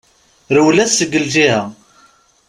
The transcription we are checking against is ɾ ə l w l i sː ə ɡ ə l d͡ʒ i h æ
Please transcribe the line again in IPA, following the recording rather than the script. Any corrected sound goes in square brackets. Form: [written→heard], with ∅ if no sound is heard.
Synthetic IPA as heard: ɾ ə [l→∅] w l [i→æ] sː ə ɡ ə l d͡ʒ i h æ